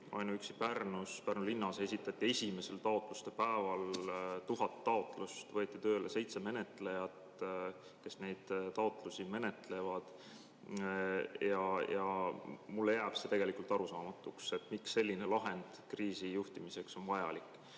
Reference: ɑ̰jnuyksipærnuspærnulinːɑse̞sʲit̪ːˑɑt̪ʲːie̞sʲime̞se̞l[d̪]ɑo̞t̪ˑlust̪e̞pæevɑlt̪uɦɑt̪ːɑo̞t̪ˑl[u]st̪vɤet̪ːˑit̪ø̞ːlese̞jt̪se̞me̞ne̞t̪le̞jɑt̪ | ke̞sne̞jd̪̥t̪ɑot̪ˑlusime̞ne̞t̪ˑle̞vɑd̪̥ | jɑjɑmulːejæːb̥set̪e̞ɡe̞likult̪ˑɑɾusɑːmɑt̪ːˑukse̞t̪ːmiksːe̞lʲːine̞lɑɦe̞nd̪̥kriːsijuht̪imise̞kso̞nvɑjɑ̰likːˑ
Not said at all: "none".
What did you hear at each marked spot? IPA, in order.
t̪, u

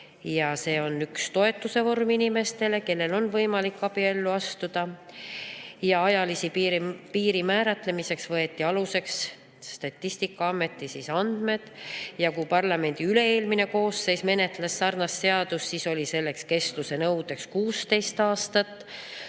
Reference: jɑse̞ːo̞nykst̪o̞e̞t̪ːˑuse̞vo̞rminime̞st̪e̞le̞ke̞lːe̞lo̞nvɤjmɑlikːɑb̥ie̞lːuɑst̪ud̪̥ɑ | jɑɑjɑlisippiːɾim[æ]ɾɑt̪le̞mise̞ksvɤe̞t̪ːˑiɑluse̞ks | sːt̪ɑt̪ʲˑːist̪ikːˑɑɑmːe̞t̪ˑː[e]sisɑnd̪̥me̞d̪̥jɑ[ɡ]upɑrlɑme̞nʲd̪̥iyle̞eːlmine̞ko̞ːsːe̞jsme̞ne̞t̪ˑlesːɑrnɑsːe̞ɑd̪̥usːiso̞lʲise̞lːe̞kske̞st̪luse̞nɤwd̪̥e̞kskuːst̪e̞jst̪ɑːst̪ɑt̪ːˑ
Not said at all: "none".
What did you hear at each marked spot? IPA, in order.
æː, i, k

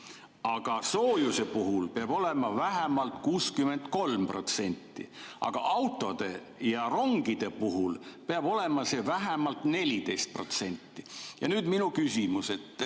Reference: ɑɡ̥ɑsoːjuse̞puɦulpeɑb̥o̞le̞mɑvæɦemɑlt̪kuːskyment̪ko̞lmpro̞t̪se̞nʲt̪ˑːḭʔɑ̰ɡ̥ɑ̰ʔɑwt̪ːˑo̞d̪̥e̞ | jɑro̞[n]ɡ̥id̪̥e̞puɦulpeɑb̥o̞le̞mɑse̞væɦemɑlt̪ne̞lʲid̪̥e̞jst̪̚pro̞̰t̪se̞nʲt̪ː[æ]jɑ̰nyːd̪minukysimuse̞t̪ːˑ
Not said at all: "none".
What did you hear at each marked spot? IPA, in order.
ŋ, i

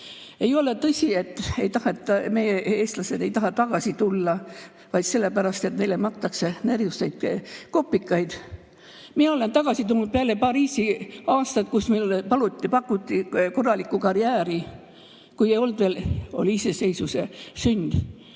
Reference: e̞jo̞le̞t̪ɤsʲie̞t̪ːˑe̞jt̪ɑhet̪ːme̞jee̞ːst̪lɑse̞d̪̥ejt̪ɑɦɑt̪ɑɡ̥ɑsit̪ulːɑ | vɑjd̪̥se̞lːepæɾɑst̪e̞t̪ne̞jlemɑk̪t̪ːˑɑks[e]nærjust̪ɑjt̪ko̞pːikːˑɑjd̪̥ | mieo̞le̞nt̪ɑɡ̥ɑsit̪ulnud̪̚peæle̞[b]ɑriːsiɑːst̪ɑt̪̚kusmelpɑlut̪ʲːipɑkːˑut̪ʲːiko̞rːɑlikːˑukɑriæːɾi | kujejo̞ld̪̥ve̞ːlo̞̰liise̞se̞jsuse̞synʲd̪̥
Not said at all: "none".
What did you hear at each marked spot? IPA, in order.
e, p

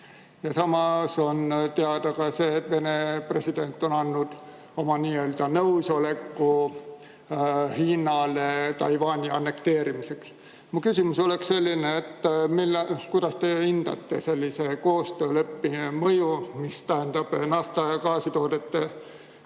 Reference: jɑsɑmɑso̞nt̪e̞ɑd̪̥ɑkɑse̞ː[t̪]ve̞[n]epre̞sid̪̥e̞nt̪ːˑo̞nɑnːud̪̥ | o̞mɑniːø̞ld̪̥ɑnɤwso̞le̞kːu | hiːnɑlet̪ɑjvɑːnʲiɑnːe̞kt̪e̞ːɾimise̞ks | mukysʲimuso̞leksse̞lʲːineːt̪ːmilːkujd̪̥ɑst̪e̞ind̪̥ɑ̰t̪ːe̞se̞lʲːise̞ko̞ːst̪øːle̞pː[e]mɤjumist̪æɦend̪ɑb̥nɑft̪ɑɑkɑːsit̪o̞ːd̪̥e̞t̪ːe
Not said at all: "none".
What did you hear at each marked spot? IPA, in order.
t̪, n, i

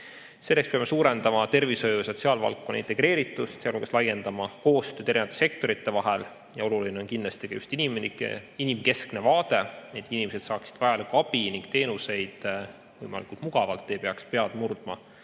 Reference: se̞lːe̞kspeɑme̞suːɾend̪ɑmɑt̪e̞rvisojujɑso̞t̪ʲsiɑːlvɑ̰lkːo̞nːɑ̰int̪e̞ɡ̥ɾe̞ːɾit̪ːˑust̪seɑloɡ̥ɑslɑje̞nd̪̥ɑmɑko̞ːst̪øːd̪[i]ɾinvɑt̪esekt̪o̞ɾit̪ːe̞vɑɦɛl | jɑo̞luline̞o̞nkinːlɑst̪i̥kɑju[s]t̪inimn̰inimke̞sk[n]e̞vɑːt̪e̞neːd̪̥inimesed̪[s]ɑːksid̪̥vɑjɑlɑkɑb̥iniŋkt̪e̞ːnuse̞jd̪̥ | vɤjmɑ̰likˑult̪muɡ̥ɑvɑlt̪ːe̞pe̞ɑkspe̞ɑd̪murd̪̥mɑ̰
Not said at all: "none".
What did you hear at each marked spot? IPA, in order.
e, s, n, s

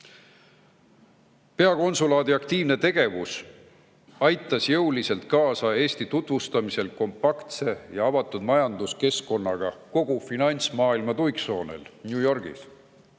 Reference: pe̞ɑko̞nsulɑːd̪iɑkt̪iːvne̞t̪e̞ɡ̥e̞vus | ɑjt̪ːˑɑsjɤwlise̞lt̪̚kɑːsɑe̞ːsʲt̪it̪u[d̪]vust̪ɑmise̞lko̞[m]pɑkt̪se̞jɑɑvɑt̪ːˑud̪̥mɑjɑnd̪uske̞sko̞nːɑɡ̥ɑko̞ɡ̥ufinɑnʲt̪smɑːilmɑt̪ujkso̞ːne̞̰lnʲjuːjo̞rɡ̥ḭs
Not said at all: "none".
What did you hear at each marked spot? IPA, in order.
t̪, m

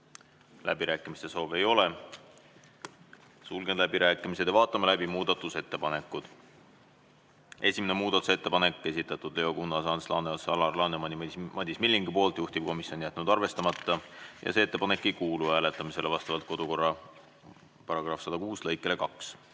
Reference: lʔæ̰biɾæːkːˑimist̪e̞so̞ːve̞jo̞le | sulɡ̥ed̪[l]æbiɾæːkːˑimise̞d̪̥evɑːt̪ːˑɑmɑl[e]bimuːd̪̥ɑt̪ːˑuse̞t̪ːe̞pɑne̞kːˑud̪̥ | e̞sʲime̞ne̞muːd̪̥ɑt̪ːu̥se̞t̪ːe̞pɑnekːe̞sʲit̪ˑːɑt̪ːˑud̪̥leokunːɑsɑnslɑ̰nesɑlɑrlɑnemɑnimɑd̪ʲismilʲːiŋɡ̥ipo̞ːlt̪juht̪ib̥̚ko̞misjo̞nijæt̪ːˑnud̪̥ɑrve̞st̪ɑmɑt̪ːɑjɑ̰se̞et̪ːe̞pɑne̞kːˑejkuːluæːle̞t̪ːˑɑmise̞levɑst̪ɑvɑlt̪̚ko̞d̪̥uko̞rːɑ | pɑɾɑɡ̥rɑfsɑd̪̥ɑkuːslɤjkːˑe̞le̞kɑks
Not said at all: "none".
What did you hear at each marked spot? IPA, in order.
l, æ

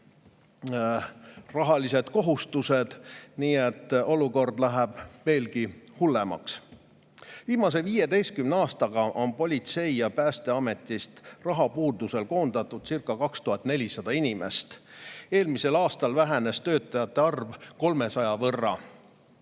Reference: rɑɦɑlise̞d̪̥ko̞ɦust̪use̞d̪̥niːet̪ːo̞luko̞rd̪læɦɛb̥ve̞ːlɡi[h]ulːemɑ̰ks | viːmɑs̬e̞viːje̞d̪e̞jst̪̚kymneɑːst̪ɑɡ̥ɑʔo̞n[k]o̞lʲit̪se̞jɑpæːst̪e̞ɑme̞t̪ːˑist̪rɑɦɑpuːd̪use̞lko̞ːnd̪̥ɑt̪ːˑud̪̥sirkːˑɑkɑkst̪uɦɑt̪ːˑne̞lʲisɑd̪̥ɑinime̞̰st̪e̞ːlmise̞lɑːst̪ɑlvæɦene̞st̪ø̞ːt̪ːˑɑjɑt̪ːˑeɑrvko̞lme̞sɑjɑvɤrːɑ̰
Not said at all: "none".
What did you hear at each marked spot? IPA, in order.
h, p

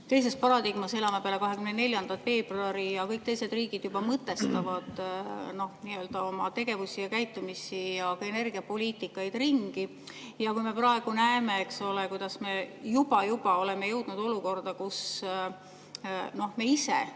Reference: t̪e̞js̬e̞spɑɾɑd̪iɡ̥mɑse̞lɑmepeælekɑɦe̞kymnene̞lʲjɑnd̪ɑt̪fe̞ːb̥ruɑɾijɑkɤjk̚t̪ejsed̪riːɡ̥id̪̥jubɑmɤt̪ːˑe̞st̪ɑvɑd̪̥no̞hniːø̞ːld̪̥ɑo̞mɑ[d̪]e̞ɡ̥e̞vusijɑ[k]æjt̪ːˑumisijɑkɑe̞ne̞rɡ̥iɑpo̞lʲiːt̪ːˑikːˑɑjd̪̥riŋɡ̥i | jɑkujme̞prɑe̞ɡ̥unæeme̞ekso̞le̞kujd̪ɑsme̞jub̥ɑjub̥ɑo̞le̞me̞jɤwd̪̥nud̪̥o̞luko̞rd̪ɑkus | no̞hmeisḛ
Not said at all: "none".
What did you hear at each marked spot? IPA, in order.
t̪, k

